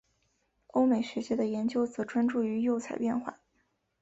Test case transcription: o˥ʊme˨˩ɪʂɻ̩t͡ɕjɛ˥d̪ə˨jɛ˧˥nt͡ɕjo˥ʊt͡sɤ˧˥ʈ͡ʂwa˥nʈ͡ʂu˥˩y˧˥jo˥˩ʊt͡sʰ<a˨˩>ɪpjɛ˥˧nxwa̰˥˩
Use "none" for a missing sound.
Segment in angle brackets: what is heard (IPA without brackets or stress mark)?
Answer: a˨˩